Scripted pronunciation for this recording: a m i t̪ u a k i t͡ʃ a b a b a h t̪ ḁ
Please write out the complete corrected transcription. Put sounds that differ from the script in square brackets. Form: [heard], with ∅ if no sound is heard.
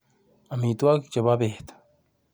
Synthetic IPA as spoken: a m i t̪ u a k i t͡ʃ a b a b [e] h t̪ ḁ